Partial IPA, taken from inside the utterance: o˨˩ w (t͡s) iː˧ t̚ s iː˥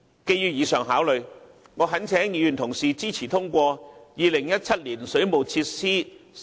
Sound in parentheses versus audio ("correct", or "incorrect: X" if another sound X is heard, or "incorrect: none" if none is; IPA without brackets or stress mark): incorrect: t͡sʰ